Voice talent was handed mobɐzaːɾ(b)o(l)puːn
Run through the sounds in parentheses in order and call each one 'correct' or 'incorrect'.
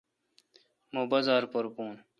incorrect, incorrect

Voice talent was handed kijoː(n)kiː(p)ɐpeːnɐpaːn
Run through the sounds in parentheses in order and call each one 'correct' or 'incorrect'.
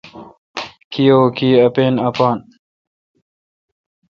incorrect, incorrect

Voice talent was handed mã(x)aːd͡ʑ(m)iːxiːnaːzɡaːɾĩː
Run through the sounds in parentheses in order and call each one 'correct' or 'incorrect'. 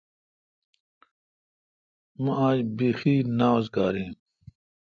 incorrect, incorrect

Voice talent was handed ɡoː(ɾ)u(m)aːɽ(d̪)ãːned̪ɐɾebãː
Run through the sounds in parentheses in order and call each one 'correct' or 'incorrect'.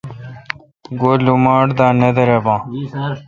incorrect, correct, correct

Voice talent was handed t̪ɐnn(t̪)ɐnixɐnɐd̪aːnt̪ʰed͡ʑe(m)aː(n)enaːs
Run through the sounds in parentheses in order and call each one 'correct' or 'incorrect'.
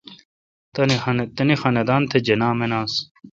correct, incorrect, incorrect

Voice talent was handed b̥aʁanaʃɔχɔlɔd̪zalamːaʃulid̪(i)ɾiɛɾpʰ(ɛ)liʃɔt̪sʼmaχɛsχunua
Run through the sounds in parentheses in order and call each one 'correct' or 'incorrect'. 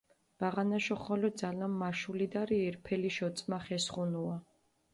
incorrect, correct

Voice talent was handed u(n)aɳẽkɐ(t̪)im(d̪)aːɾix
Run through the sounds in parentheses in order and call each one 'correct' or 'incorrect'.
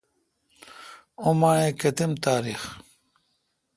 incorrect, correct, incorrect

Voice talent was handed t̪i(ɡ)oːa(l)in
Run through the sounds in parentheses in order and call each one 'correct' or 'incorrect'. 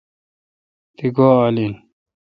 correct, correct

